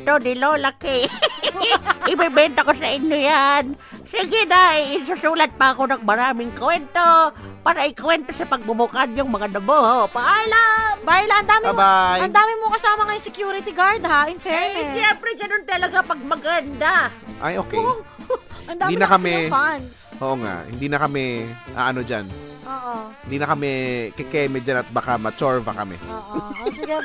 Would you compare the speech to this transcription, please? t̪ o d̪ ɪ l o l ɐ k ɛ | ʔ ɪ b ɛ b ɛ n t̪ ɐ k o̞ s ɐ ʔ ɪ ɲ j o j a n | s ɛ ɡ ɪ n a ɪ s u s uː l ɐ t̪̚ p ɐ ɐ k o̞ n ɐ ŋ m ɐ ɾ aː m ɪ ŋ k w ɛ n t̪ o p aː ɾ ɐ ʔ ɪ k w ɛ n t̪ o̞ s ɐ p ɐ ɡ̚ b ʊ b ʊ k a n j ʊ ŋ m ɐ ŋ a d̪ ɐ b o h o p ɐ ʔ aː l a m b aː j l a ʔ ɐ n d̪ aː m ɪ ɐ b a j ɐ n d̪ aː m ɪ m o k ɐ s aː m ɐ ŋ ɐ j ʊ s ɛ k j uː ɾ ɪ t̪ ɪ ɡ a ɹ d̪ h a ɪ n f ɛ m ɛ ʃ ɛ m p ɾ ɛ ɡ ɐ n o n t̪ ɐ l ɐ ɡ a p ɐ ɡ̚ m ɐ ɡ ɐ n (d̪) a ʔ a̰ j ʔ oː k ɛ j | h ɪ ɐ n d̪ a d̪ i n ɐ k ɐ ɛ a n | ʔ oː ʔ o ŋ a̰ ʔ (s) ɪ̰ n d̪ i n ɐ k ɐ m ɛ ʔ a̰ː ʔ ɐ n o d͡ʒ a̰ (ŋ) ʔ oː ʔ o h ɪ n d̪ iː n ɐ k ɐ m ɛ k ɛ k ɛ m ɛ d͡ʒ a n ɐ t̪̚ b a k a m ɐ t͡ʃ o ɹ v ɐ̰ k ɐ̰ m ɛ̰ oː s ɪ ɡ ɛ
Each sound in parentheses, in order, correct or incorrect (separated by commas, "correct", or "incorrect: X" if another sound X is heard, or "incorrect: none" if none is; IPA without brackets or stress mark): correct, incorrect: h, incorrect: n